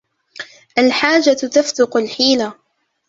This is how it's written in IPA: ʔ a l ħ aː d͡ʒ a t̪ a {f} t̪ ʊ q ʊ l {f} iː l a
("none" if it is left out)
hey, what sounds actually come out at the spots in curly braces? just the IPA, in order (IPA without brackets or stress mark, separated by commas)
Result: f, ħ